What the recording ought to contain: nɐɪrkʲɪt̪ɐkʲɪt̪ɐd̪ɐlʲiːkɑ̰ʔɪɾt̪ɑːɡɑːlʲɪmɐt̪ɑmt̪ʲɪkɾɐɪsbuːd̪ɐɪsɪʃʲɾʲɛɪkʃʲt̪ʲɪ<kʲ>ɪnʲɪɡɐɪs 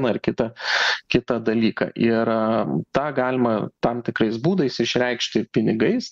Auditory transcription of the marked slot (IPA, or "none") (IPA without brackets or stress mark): pʲ